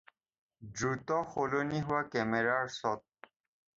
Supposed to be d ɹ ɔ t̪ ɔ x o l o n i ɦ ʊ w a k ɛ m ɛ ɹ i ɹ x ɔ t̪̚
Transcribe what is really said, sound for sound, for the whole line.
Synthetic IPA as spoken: d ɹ u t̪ ɔ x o l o n i ɦ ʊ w a k ɛ m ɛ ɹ a ɹ s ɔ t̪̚

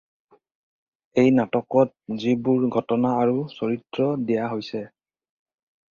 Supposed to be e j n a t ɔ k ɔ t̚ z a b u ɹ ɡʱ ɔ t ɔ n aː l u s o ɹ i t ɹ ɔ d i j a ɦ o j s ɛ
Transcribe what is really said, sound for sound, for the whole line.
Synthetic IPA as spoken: e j n a t ɔ k ɔ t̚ z i b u ɹ ɡʱ ɔ t ɔ n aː ɹ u s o ɹ i t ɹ ɔ d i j a ɦ o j s ɛ

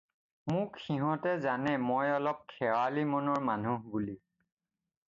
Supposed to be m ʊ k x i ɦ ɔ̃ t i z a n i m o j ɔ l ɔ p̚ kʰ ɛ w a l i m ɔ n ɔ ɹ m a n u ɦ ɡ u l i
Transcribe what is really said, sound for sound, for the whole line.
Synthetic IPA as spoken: m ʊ k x i ɦ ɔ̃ t ɛ z a n ɛ m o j ɔ l ɔ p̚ kʰ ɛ w a l i m ɔ n ɔ ɹ m a n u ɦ b u l i

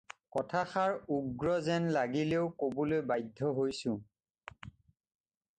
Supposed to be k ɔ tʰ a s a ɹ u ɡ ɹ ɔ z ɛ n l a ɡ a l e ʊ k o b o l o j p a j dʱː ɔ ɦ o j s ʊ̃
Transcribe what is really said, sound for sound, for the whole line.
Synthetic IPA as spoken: k ɔ tʰ a x a ɹ u ɡ ɹ ɔ z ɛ n l a ɡ i l e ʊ k o b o l o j b a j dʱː ɔ ɦ o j s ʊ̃

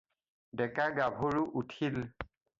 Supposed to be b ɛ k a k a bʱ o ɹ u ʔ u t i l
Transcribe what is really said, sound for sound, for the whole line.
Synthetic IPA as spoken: d ɛ k a ɡ a bʱ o ɹ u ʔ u tʰ i l

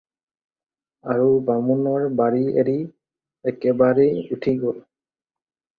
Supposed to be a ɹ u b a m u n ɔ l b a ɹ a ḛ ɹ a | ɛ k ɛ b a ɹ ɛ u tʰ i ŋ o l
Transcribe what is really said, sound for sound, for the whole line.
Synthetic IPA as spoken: a ɹ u b a m u n ɔ ɹ b a ɹ i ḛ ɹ i | ɛ k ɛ b a ɹ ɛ u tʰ i ɡ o l

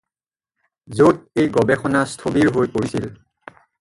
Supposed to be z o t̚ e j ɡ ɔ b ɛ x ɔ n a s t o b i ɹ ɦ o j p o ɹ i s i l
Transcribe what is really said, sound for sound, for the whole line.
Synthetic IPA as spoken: z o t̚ e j ɡ ɔ b ɛ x ɔ n a s tʰ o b i ɹ ɦ o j p o ɹ i s i l

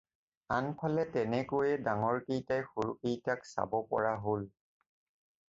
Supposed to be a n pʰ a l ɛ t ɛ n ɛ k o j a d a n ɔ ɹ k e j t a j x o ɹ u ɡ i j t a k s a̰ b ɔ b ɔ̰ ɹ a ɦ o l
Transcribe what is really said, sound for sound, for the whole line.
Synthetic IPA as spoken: a n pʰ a l ɛ t ɛ n ɛ k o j ɛ d a ŋ ɔ ɹ k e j t a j x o ɹ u k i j t a k s a̰ b ɔ p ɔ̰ ɹ a ɦ o l

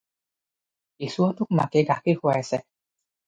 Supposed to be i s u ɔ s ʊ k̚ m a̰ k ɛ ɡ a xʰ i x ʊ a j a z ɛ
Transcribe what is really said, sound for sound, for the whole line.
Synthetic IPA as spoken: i s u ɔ t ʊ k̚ m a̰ k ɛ ɡ a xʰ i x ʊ a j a s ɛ

